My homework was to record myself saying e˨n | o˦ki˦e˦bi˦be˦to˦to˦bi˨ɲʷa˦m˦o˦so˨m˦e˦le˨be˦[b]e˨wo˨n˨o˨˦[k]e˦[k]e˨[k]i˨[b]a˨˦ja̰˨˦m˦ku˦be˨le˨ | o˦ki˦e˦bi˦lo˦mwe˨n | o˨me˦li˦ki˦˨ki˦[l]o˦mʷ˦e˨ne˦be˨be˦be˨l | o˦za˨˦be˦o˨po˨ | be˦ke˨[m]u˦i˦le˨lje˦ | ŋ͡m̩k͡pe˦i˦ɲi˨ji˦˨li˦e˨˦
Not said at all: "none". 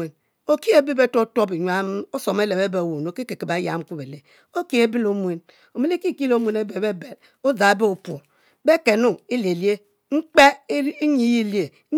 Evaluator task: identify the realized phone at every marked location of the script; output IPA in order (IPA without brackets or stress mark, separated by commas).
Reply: b, k, k, k, b, l, n